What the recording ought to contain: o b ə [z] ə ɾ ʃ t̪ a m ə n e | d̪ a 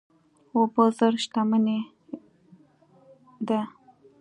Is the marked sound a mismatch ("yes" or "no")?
no